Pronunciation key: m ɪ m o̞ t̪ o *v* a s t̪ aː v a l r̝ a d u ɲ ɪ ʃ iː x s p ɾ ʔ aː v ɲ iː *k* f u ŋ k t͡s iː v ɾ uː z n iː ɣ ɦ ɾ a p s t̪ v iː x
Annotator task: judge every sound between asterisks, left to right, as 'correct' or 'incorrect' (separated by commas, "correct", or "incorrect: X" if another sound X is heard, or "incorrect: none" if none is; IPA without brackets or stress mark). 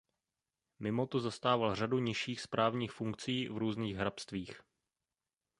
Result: incorrect: z, incorrect: x